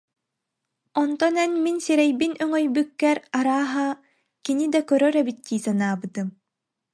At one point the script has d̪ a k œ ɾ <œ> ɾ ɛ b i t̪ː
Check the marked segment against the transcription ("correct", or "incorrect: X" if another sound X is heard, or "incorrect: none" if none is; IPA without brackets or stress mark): correct